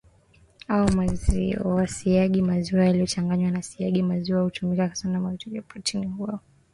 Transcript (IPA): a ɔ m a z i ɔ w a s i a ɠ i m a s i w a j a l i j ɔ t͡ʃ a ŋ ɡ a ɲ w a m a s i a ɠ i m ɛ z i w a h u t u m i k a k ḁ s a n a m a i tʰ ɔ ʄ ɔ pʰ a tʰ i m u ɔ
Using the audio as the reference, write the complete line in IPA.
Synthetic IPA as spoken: a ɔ m a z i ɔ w a s i a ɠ i m a z i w a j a l i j ɔ t͡ʃ a ŋ ɡ a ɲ w a n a s i a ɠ i m a z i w a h u t u m i k a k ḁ s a n a m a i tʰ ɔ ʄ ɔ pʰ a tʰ i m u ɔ